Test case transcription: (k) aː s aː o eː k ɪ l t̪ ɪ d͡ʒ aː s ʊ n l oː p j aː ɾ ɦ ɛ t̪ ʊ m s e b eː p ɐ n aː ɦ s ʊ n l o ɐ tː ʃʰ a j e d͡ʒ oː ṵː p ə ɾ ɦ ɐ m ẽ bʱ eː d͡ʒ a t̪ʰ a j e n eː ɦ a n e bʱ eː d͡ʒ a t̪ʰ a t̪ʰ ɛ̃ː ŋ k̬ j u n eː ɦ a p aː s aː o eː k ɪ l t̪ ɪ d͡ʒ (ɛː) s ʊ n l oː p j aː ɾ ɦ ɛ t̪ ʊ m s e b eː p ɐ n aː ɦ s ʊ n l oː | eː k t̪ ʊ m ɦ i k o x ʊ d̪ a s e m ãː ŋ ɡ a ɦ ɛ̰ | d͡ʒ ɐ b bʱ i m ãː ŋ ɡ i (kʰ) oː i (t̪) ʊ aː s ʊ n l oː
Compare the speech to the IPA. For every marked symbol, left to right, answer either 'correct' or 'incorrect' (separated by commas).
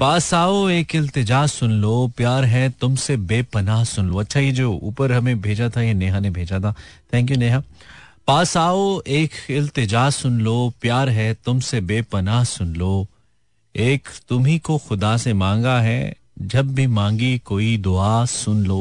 incorrect, incorrect, incorrect, incorrect